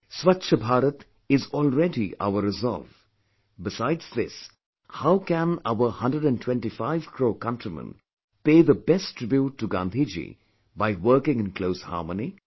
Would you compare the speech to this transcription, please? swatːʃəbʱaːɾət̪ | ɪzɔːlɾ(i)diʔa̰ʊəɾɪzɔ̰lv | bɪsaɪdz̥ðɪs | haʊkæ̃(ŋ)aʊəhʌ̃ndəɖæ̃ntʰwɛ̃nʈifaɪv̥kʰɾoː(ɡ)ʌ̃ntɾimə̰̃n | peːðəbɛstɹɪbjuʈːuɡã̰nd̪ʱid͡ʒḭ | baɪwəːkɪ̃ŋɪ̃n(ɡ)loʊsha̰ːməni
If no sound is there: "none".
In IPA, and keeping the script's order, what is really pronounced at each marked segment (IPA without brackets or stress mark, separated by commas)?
ɛ, n, k, k